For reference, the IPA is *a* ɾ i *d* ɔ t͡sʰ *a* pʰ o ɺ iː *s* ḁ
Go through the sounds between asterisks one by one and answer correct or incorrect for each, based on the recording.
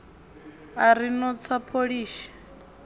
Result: correct, incorrect, correct, incorrect

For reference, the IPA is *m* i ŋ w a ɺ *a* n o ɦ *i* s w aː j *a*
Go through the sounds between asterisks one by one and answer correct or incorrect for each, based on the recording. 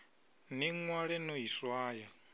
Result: incorrect, incorrect, correct, correct

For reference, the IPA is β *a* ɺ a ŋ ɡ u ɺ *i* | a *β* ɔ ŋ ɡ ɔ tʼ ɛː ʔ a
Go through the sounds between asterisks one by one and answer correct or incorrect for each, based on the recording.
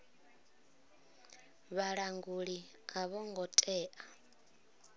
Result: correct, correct, correct

